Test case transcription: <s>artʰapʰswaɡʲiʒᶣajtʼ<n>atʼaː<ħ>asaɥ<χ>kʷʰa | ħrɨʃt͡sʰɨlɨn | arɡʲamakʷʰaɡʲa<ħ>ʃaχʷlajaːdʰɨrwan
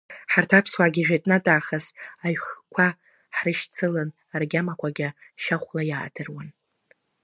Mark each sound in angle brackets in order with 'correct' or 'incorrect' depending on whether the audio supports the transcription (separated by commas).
incorrect, correct, incorrect, correct, incorrect